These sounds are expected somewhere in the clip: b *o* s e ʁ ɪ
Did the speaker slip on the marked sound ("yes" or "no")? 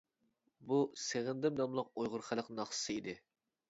yes